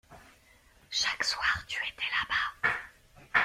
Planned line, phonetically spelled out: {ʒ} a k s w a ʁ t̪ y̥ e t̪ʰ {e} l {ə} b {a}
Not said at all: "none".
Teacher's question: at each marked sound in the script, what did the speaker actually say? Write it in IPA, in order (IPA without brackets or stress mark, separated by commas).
ʃ, ɛ, a, a